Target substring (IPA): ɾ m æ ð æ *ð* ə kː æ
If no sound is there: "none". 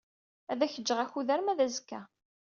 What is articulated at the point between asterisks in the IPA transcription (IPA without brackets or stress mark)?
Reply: z